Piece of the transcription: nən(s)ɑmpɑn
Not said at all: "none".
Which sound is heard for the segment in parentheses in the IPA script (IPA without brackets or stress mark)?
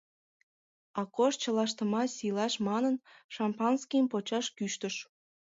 ʃ